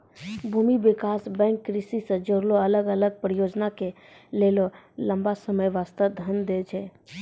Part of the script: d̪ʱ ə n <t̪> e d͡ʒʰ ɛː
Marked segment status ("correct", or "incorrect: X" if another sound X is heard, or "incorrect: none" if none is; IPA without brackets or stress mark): incorrect: d̪